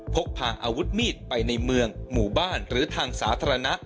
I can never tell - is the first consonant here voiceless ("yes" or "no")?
yes